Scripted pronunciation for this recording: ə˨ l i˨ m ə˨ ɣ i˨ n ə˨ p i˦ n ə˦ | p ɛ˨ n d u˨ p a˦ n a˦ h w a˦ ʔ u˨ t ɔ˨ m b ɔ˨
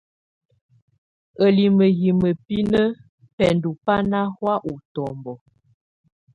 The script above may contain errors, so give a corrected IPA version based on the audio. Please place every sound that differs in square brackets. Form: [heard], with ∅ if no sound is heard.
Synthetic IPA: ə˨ l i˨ m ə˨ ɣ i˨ [m] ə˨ p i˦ n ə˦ | p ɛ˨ n d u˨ p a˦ n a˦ h w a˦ ʔ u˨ t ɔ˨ m b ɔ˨